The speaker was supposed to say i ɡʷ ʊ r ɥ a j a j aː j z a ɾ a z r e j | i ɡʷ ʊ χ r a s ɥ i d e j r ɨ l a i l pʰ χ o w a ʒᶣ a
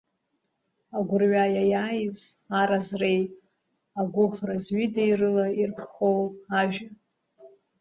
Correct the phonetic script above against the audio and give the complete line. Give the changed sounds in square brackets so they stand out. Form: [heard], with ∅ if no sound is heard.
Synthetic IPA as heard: [a] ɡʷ ʊ r ɥ a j a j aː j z a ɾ a z r e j | [a] ɡʷ ʊ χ r a [z] ɥ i d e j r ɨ l a i [r] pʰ χ o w a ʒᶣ a